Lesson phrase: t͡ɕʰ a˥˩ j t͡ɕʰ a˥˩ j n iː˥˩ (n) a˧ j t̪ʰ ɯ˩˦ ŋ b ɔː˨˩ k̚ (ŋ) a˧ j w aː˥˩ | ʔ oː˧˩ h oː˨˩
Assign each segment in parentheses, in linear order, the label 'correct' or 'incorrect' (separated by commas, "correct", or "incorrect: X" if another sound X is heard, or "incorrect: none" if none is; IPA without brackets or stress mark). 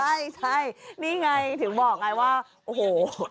incorrect: ŋ, correct